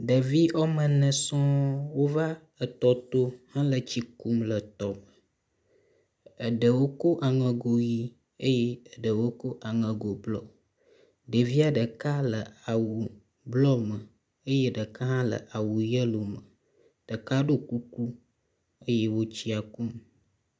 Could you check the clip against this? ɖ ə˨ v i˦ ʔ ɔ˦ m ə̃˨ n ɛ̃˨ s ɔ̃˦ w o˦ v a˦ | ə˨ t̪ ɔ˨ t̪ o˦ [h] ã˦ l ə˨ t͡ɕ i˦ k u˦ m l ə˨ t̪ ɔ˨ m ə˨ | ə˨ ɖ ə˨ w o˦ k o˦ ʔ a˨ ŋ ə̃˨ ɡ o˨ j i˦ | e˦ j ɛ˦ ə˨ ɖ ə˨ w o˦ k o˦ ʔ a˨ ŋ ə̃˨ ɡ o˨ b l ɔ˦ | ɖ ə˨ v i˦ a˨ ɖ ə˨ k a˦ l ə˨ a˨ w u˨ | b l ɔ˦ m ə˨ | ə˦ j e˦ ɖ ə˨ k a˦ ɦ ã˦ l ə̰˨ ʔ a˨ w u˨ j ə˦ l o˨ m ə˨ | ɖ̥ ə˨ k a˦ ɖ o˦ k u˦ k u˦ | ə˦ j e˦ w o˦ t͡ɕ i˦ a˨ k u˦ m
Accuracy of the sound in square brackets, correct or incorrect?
correct